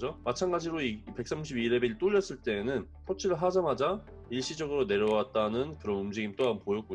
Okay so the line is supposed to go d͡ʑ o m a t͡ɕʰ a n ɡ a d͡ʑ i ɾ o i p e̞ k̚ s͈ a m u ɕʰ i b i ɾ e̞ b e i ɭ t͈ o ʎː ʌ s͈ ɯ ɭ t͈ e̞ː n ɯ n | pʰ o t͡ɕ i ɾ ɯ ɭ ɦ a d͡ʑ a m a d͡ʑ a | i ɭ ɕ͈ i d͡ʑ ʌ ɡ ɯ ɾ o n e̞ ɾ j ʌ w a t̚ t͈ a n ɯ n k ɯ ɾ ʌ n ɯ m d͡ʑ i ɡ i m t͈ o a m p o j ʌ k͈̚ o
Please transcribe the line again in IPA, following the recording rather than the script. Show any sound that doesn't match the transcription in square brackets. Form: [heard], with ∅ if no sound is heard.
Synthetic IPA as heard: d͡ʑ o m a t͡ɕʰ a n ɡ a d͡ʑ i ɾ o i p e̞ k̚ s͈ a m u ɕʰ i b i ɾ e̞ b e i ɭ t͈ o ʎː ʌ s͈ ɯ ɭ t͈ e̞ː n ɯ n | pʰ o [t͡ɕʰ] i ɾ ɯ ɭ ɦ a d͡ʑ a m a d͡ʑ a | i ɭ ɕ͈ i d͡ʑ ʌ ɡ ɯ ɾ o n e̞ ɾ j ʌ w a t̚ t͈ a n ɯ n k ɯ ɾ ʌ n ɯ m d͡ʑ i ɡ i m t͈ o a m p o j ʌ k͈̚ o